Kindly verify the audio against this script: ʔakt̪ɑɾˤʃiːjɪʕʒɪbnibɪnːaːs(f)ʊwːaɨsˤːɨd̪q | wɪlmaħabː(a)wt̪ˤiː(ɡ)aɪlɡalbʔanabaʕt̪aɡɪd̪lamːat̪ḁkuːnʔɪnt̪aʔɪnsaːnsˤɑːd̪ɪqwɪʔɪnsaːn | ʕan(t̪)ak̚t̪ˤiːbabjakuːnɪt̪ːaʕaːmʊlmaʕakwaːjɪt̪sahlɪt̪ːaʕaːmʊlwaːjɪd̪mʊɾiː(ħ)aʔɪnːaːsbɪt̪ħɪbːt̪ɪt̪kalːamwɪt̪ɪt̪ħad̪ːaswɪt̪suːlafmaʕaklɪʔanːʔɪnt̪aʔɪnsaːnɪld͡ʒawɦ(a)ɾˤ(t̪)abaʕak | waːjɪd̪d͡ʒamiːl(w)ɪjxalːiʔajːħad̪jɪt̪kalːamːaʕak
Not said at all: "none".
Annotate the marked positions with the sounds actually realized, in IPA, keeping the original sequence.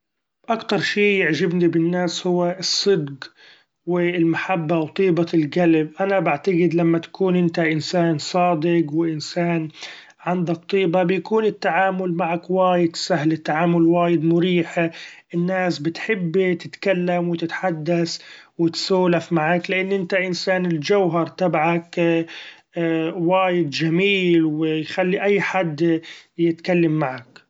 h, a, b, d̪, ħ, ɑ, t̪, w

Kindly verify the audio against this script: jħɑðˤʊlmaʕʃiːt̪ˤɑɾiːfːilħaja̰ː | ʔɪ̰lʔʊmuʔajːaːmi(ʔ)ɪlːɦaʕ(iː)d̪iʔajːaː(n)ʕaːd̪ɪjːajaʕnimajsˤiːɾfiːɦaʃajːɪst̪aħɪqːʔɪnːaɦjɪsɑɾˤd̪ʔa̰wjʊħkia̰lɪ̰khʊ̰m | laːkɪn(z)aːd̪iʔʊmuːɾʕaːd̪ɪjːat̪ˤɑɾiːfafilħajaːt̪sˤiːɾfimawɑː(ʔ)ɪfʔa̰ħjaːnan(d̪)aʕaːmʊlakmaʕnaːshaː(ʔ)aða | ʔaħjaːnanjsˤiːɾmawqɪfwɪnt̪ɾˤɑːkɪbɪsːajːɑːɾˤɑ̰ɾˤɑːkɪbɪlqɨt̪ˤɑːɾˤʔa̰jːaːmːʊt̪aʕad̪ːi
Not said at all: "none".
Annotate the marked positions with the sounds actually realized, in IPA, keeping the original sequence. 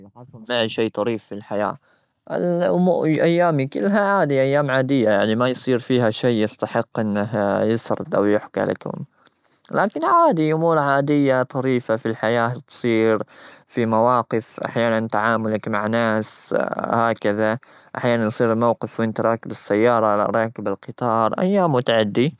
k, aː, m, ʕ, q, t̪, k

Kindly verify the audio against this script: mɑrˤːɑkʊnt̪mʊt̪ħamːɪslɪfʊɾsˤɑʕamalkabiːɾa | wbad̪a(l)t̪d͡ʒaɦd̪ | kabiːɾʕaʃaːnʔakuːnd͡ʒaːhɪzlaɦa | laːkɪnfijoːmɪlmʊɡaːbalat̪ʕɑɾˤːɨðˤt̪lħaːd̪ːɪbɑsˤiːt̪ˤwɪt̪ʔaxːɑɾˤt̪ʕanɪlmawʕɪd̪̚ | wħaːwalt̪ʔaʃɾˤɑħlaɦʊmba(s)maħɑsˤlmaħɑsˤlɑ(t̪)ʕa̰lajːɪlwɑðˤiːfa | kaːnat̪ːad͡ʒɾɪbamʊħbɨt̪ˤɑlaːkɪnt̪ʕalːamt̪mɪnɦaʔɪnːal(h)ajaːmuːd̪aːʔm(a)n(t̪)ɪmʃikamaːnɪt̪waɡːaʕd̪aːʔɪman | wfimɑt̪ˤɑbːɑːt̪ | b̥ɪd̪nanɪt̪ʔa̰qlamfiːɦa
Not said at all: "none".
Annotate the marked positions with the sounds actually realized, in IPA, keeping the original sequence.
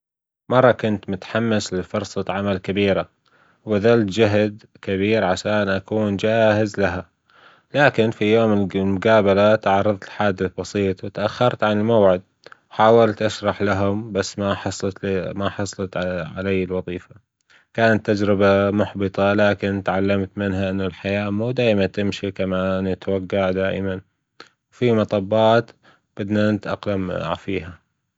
l, sː, t̪, ħ, a, t̪

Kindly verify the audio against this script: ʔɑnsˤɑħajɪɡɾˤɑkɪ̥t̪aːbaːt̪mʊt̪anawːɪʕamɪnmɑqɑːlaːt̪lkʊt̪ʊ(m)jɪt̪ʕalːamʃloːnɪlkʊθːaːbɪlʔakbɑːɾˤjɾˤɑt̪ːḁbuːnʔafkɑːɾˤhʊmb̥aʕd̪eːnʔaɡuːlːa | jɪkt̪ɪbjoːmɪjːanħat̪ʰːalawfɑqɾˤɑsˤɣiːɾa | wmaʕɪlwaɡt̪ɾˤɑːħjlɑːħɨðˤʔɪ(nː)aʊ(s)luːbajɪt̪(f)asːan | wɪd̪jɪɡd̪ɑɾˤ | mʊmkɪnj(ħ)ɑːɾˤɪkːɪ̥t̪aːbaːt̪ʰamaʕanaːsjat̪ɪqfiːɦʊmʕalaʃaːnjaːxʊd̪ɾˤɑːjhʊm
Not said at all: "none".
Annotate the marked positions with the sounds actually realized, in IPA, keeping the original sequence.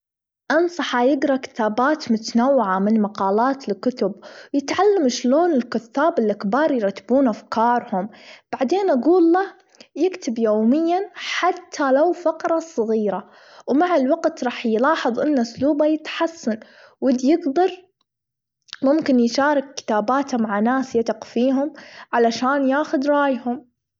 b, nː, s, ħ, ʃ

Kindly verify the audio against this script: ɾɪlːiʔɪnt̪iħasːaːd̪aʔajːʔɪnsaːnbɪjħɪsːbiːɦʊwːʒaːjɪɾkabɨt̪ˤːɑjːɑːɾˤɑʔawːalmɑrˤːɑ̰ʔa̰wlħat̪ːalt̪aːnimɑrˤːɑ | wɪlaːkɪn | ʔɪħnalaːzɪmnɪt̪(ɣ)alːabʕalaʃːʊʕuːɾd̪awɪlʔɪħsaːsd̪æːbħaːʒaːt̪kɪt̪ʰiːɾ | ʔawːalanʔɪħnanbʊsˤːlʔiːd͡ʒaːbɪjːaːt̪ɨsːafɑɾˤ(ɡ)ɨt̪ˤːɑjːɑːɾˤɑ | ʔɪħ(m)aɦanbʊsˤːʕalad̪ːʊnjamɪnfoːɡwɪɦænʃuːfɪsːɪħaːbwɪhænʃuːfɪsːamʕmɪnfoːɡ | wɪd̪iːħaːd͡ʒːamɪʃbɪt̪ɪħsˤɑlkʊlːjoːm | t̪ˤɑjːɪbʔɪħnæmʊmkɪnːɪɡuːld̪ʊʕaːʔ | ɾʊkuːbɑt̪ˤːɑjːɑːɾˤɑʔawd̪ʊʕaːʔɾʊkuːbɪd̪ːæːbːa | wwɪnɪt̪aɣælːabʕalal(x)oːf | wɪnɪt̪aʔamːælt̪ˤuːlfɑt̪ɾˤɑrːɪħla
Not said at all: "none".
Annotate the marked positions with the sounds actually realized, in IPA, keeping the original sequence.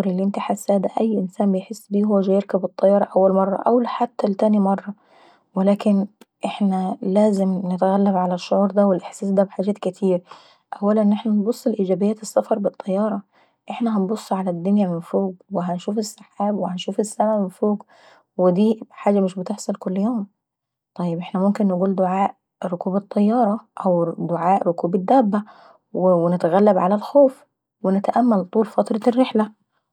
ɣ, b, n, x

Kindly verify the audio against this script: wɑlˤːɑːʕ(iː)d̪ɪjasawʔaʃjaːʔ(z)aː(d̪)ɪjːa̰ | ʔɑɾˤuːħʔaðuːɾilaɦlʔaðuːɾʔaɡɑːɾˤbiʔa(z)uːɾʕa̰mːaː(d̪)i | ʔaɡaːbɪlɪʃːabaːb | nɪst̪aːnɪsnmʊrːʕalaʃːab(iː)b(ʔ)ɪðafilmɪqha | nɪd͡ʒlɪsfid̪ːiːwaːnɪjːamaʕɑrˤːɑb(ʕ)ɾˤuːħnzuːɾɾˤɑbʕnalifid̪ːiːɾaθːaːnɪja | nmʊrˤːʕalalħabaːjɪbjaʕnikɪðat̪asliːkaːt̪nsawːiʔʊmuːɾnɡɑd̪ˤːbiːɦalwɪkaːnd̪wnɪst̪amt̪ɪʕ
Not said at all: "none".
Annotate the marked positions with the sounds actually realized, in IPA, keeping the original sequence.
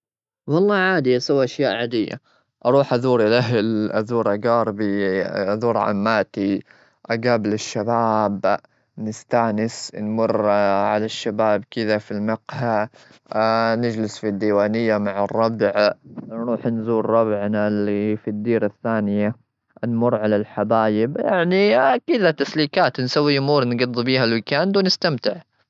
aː, ʕ, d̪, ð, t̪, aː, k, ʕ

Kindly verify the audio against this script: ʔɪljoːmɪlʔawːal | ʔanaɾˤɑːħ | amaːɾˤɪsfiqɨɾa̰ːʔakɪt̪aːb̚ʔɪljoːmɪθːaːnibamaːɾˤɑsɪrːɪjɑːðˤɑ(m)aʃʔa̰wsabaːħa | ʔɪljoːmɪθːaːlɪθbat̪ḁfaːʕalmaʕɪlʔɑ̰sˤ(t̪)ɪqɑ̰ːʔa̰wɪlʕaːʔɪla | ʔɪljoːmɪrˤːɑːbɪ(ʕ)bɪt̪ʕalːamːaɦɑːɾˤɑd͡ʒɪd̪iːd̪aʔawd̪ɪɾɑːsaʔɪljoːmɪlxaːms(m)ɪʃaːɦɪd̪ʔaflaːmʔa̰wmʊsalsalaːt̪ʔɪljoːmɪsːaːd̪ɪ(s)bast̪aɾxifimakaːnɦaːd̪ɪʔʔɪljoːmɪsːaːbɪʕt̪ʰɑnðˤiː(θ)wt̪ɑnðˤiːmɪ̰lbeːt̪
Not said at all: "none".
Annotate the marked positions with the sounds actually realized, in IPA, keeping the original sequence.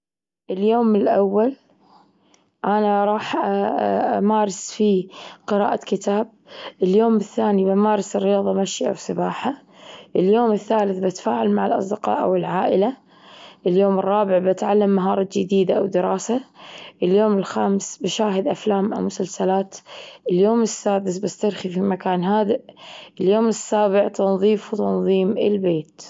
m, d̪, ʕ, b, s, f

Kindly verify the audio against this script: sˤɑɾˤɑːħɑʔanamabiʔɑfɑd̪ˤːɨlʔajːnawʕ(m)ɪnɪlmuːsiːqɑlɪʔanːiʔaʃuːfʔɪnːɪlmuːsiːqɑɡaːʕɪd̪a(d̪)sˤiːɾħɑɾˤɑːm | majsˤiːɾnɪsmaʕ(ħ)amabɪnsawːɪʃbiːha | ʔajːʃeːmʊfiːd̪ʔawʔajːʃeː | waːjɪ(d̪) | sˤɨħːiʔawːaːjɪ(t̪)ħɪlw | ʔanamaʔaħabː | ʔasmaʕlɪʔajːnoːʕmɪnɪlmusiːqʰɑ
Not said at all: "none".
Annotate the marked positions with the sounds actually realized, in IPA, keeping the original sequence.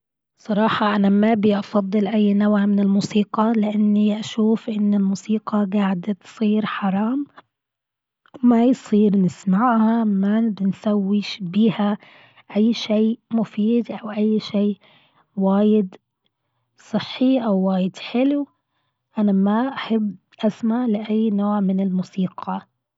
m, t̪, h, d̪, d̪

